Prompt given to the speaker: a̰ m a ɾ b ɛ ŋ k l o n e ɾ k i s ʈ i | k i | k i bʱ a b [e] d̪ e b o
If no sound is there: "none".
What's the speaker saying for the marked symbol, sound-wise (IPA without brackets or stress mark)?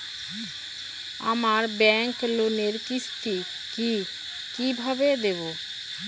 e